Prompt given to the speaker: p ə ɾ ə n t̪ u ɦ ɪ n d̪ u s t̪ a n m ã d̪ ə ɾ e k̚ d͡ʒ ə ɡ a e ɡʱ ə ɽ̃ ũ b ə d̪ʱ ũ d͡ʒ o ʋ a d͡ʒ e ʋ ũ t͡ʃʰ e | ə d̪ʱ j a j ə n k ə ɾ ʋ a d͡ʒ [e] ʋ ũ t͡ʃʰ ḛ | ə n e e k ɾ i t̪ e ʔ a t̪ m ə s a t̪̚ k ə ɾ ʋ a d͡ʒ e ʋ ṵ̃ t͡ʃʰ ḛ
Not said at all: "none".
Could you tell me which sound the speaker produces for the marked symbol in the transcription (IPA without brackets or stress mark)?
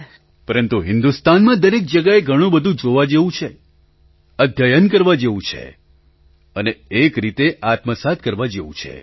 e